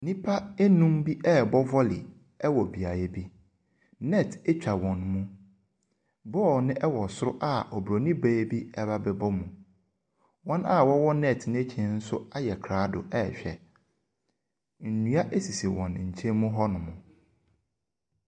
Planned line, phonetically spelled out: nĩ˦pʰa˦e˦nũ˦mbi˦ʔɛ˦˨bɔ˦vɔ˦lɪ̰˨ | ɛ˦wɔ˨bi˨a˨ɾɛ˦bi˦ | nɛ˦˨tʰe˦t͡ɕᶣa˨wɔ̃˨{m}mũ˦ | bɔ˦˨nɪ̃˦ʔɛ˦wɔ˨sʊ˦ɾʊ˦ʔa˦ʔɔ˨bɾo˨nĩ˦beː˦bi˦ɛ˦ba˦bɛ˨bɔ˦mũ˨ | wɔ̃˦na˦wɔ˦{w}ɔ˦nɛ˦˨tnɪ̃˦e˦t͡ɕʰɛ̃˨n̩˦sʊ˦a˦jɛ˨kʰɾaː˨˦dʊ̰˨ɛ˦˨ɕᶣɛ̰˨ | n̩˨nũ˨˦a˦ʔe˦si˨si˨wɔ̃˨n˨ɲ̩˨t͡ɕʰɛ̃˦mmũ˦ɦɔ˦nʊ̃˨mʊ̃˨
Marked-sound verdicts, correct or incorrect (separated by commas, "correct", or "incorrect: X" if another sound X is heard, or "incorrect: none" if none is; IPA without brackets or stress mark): incorrect: n, correct